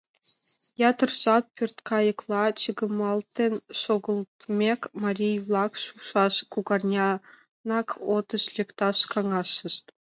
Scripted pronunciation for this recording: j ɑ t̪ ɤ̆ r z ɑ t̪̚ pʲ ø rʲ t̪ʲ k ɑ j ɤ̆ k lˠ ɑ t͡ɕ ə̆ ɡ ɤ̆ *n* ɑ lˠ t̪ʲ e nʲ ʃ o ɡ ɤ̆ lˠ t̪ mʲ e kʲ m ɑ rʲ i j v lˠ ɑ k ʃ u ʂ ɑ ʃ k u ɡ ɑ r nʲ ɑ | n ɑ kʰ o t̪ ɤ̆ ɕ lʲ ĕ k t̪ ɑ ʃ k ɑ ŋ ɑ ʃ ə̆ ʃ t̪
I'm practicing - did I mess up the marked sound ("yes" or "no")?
yes